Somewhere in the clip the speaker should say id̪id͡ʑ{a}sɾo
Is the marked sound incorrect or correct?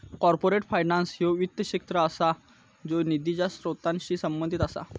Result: correct